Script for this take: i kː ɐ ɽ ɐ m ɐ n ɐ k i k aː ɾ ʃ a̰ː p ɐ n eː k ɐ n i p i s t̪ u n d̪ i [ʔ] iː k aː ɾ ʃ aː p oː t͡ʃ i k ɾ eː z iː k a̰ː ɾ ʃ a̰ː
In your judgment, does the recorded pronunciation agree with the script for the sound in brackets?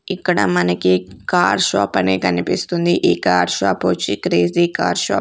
yes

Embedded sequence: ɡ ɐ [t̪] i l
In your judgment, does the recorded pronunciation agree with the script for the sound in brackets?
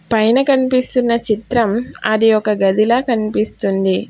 no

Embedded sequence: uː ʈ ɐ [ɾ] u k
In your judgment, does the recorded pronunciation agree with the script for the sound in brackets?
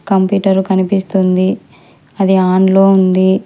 yes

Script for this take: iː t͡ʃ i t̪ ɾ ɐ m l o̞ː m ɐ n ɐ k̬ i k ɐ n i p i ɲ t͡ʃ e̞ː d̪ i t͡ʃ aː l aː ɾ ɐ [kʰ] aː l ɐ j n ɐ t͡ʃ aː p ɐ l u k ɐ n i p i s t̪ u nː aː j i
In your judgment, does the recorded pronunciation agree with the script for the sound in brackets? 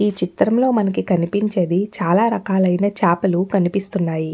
no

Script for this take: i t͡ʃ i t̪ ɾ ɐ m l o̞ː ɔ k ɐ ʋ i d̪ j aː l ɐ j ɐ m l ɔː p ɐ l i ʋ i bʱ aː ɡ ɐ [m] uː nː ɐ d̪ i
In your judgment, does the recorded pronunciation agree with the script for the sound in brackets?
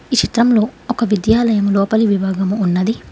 yes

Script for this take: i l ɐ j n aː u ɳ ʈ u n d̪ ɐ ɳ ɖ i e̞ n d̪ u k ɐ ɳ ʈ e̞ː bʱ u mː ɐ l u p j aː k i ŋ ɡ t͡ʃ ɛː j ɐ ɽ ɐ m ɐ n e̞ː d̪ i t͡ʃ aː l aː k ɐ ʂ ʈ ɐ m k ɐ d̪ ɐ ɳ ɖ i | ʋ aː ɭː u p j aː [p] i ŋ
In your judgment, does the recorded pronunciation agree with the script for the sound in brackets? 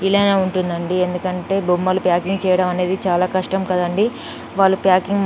no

